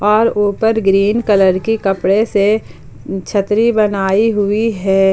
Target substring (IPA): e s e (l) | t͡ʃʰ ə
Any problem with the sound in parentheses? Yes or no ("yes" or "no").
yes